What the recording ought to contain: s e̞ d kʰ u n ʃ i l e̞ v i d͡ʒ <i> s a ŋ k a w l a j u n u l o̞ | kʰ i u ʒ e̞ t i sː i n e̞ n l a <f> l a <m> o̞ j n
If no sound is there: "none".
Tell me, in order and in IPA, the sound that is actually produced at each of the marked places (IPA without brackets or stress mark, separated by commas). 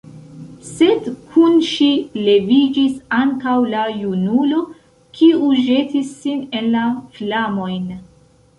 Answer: i, f, m